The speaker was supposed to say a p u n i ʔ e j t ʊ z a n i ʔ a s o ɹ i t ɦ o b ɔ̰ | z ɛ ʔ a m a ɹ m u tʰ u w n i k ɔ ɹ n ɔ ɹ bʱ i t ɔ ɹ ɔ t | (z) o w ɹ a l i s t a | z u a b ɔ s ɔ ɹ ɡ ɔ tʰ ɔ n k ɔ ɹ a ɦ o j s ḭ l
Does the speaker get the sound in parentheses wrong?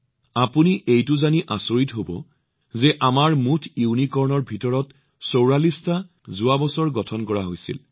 yes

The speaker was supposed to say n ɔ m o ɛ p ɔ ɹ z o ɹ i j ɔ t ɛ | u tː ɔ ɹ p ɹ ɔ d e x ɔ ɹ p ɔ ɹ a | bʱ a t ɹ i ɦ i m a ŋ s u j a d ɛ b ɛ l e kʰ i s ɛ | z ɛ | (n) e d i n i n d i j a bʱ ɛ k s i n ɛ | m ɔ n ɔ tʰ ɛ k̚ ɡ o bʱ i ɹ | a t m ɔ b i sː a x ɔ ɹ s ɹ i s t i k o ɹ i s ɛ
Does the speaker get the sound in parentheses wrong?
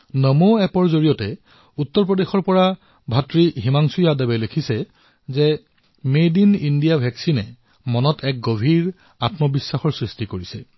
yes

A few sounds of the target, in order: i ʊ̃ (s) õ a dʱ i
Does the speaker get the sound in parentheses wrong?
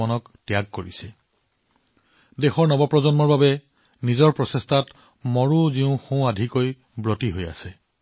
yes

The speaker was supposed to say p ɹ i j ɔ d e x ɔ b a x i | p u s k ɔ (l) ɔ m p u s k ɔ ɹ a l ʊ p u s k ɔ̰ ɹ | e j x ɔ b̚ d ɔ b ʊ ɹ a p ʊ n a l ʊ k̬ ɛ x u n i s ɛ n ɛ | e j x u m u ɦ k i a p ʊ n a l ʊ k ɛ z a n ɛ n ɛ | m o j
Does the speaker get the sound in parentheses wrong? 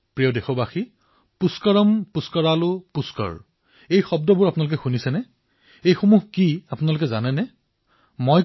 yes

